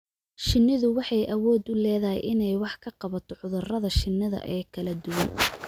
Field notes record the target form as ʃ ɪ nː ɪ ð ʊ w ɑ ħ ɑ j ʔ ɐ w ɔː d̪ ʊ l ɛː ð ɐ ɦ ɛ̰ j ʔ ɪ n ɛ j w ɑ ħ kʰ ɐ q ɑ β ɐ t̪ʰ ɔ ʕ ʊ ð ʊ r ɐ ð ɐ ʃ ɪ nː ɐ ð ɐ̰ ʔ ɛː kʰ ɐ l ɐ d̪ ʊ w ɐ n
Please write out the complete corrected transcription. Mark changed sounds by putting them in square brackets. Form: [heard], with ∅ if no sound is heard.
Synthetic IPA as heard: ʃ ɪ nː ɪ ð ʊ w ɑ ħ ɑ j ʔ ɐ w ɔː d̪ ʊ l ɛː ð ɐ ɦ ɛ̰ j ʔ ɪ n ɛ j w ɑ ħ kʰ ɐ q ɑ β ɐ t̪ʰ ɔ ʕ ʊ ð ʊ r ɐ ð ɐ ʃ ɪ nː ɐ ð ɐ̰ ʔ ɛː kʰ ɐ l ɐ d̪ ʊ w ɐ n

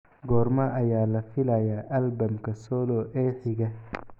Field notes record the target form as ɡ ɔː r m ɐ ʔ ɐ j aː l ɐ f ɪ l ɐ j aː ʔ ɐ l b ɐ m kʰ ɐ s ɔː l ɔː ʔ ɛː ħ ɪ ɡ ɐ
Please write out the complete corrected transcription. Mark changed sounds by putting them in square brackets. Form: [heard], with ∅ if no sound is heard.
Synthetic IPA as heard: ɡ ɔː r m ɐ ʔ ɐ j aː l ɐ f ɪ l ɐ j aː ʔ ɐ l b ɐ m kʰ ɐ s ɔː l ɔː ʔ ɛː ħ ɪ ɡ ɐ

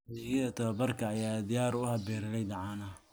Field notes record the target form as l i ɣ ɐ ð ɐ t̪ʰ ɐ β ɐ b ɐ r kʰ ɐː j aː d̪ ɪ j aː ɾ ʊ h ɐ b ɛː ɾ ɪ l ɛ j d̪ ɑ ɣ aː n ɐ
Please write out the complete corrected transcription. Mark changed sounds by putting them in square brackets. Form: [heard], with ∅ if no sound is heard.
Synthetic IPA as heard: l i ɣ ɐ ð ɐ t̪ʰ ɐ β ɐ b ɐ r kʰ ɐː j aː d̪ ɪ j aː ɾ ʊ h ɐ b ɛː ɾ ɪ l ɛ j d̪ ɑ [ʕ] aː n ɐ

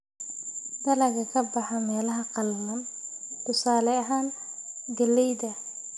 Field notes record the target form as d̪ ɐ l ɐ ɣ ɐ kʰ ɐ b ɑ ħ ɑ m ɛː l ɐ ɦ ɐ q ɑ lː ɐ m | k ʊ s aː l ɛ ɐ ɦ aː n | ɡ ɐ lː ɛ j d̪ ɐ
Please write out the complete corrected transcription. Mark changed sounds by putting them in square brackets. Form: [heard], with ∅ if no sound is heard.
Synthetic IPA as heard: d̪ ɐ l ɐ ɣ ɐ kʰ ɐ b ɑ ħ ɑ m ɛː l ɐ ɦ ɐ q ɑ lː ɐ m | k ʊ s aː l ɛ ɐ ɦ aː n | ɡ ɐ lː ɛ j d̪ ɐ

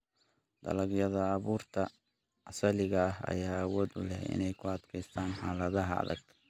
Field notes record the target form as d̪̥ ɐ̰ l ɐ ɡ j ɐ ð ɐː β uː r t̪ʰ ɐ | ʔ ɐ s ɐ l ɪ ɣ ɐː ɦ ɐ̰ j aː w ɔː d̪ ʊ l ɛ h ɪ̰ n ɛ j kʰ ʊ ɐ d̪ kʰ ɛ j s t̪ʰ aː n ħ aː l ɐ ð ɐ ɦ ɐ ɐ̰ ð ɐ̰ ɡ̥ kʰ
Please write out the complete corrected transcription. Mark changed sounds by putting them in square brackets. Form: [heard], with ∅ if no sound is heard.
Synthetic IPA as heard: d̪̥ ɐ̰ l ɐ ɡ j ɐ ð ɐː β uː r t̪ʰ ɐ | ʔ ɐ s ɐ l ɪ ɣ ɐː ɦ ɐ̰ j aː w ɔː d̪ ʊ l ɛ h ɪ̰ n ɛ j kʰ ʊ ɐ d̪ kʰ ɛ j s t̪ʰ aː n ħ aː l ɐ ð ɐ ɦ ɐ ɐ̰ ð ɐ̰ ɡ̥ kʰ

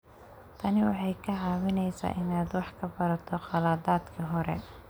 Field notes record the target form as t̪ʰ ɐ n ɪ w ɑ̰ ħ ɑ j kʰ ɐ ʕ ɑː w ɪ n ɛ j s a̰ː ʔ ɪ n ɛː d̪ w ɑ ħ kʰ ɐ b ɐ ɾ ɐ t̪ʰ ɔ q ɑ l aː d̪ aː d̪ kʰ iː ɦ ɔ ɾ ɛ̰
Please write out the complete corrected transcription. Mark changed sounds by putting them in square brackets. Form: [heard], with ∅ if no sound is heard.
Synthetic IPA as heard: t̪ʰ ɐ n ɪ w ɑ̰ ħ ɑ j kʰ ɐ ʕ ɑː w ɪ n ɛ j s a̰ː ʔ ɪ n [aː] d̪ w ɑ ħ kʰ ɐ b ɐ ɾ ɐ t̪ʰ ɔ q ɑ l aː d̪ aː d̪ kʰ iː ɦ ɔ ɾ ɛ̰

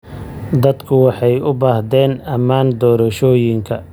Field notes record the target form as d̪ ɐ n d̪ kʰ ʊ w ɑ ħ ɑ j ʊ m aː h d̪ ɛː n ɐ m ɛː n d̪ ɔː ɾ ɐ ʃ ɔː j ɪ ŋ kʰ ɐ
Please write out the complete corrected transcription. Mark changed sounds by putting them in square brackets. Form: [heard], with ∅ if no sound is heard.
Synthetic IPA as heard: d̪ ɐ [∅] d̪ kʰ ʊ w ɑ ħ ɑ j ʊ [b] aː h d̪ ɛː n ɐ m [aː] n d̪ ɔː ɾ ɐ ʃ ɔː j ɪ ŋ kʰ ɐ

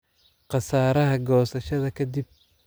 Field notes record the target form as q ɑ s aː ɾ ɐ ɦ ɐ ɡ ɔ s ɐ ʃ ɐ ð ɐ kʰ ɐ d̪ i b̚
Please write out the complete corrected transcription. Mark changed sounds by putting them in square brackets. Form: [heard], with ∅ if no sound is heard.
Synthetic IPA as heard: q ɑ s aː ɾ ɐ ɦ ɐ ɡ [ɔː] s ɐ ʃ ɐ ð ɐ kʰ ɐ d̪ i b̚

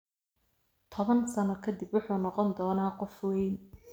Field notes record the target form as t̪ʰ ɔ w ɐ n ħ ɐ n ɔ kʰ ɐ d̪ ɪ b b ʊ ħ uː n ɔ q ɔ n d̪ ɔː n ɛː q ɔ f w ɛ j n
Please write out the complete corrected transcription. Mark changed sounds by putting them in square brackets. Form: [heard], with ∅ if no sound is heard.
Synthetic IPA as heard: t̪ʰ ɔ [β] ɐ n [s] ɐ n ɔ kʰ ɐ d̪ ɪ b [w] ʊ ħ uː n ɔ q ɔ n d̪ ɔː n [aː] q ɔ f w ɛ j n

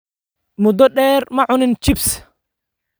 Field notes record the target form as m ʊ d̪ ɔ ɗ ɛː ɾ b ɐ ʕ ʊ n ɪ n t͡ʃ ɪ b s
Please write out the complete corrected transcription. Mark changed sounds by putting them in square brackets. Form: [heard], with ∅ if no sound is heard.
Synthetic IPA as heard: m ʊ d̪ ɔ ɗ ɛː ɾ [m] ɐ ʕ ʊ n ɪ n t͡ʃ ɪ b s

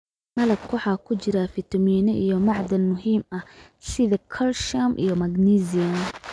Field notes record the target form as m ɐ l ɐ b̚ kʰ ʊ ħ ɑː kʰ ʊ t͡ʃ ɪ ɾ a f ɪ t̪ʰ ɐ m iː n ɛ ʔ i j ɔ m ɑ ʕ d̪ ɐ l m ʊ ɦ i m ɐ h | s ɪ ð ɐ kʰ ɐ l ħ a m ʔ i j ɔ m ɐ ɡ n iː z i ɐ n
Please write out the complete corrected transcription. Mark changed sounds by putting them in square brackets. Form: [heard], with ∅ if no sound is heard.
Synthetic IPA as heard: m ɐ l ɐ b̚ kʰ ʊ ħ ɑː kʰ ʊ t͡ʃ ɪ ɾ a f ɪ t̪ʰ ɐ m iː n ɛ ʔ i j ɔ m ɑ ʕ d̪ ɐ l m ʊ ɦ [iː] m ɐ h | s ɪ ð ɐ kʰ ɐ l [ʃ] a m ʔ i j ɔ m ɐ ɡ n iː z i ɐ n

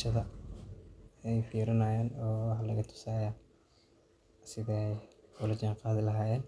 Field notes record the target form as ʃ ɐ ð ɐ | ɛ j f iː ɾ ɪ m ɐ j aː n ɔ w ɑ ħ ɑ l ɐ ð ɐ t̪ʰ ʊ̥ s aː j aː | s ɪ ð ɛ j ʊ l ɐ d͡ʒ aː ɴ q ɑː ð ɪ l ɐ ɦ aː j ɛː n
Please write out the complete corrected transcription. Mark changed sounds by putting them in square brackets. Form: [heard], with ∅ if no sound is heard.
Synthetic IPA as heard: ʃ ɐ ð ɐ | ɛ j f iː ɾ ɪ [n] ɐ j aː n [ɔː] w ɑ ħ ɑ l ɐ [ɣ] ɐ t̪ʰ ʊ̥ s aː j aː | s ɪ ð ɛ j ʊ l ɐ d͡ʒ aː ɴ q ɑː ð ɪ l ɐ ɦ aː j ɛː n

